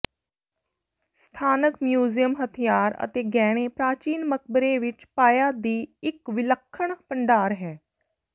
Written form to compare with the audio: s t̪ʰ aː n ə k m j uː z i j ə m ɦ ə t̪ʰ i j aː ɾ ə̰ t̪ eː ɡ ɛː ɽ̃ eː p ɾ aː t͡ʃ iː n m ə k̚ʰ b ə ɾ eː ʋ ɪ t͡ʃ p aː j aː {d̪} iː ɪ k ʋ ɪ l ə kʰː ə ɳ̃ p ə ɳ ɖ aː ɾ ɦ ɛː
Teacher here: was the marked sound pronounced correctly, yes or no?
yes